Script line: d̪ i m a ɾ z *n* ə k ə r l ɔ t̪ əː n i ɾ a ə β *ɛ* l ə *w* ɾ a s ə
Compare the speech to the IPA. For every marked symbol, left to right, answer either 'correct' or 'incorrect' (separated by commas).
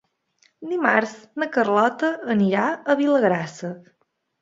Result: correct, incorrect, incorrect